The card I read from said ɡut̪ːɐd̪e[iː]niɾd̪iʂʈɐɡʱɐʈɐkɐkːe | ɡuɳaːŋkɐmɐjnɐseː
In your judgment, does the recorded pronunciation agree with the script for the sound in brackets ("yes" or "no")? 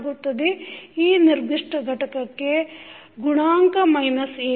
yes